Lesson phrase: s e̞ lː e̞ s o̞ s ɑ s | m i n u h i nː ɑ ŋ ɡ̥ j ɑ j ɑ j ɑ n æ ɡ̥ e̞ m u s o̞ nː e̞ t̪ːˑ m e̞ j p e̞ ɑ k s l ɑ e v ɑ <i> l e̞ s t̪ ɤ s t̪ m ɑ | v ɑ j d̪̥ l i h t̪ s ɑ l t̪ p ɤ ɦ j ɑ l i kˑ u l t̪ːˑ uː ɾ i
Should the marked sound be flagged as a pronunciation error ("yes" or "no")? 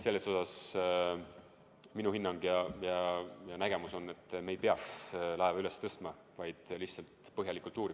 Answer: yes